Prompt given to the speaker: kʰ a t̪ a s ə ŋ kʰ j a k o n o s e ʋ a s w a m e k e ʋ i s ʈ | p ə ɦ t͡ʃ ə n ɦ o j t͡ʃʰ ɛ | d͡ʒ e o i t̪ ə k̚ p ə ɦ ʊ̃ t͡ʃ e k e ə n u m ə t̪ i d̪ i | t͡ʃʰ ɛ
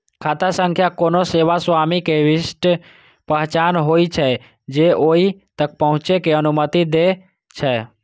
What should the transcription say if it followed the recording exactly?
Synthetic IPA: kʰ a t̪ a s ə ŋ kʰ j a k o n o s e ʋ a s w a m i k e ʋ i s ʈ | p ə ɦ t͡ʃ a n ɦ o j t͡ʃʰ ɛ | d͡ʒ e o i t̪ ə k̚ p ə ɦ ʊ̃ t͡ʃ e k e ə n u m ə t̪ i d̪ e | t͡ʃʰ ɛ

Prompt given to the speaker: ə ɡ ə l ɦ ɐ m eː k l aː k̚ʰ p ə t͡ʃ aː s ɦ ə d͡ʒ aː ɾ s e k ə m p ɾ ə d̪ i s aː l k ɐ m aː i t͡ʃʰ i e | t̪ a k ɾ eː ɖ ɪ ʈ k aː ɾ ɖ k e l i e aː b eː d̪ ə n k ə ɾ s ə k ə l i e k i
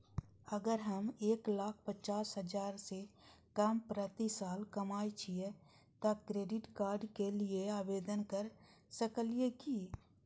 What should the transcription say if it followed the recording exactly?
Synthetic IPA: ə ɡ ə ɾ ɦ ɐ m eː k l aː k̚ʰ p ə t͡ʃ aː s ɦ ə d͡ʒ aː ɾ s e k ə m p ɾ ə t̪ i s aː l k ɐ m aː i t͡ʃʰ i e | t̪ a k ɾ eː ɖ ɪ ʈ k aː ɾ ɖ k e l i e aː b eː d̪ ə n k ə ɾ s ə k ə l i e k i

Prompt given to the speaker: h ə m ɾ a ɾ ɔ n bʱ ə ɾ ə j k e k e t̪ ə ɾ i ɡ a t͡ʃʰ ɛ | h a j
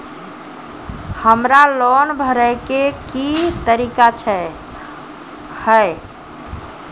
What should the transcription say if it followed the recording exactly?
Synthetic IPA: h ə m ɾ a l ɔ n bʱ ə ɾ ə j k e k i t̪ ə ɾ i k a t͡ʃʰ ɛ | h ə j

